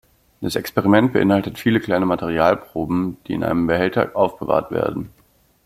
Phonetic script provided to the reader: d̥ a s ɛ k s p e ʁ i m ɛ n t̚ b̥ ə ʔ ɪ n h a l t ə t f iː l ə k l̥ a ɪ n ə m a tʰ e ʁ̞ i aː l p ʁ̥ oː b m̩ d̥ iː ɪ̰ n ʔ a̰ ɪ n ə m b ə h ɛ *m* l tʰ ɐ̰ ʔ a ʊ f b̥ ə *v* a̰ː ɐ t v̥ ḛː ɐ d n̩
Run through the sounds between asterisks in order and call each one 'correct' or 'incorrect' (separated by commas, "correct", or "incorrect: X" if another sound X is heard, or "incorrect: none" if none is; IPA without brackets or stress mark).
incorrect: none, correct